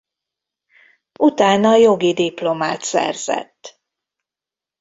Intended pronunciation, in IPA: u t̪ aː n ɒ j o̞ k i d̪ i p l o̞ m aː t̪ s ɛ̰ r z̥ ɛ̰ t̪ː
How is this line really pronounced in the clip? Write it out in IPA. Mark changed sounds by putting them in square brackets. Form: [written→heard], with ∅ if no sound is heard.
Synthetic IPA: u t̪ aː n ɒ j o̞ [k→ɡ] i d̪ i p l o̞ m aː t̪ s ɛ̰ r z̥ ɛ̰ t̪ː